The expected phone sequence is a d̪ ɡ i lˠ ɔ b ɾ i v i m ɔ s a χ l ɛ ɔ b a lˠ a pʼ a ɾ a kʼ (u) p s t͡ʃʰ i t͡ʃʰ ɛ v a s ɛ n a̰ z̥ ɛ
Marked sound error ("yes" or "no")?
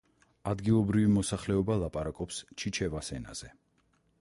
yes